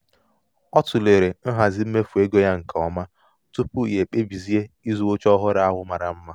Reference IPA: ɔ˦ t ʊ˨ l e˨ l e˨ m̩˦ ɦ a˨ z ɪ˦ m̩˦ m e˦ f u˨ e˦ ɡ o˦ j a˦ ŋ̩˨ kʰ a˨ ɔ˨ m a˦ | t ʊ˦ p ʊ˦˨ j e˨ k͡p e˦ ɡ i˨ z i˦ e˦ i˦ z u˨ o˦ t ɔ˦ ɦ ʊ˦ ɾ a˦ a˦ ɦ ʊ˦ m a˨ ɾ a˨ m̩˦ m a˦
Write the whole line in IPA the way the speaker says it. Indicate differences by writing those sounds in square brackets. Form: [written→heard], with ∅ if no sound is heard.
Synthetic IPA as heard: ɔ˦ t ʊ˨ l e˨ [l→ɾ] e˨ [m̩˦→n̩˦] ɦ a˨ z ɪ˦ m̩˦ m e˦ f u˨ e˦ ɡ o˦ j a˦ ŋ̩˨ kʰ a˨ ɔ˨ m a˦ | t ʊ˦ p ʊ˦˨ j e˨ k͡p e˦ [ɡ→b] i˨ z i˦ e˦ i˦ z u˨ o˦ [t→t͡ʃ] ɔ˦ ɦ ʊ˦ ɾ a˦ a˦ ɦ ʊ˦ m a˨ ɾ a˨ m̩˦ m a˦